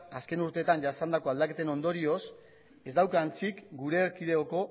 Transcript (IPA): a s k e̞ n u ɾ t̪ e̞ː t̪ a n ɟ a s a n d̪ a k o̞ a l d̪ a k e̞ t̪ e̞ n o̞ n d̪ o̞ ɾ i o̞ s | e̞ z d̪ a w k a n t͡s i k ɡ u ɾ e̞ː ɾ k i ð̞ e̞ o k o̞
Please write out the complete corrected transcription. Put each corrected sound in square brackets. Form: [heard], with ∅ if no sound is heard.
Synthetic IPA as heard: a s k e̞ n u ɾ t̪ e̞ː t̪ a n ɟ a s a n d̪ a k o̞ a l d̪ a k e̞ t̪ e̞ n o̞ n d̪ o̞ ɾ i o̞ s | e̞ z d̪ a w k a n t͡s i k ɡ u ɾ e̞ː ɾ k i ð̞ e̞ o k o̞